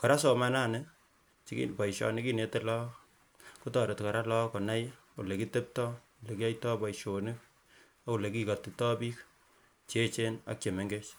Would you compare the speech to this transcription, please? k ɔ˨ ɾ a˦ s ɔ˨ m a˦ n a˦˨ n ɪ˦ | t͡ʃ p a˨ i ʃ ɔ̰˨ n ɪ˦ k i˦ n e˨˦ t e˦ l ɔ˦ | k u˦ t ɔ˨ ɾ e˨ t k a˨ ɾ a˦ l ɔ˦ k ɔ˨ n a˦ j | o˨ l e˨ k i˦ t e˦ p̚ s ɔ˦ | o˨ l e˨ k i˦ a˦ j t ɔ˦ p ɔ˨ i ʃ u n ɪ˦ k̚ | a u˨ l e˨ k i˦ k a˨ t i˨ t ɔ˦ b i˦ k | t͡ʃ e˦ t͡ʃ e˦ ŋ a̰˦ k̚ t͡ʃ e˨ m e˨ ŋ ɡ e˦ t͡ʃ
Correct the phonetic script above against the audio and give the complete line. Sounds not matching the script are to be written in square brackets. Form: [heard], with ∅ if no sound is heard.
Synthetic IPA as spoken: k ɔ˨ ɾ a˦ s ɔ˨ m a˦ n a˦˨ n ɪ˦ | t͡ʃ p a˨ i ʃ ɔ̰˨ n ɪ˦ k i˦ n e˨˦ t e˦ l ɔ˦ | k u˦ t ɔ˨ ɾ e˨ t k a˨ ɾ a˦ l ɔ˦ k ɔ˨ n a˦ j | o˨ l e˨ k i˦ t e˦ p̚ [t] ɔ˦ | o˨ l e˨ k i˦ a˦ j t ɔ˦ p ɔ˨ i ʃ [o] n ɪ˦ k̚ | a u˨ l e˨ k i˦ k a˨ t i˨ t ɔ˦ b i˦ k | t͡ʃ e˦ t͡ʃ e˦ [n] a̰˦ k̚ t͡ʃ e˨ m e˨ ŋ ɡ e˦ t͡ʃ